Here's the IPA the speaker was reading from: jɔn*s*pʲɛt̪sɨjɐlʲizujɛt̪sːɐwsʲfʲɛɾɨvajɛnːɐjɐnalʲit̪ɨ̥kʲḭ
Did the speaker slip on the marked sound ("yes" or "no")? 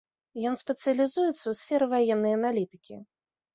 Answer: no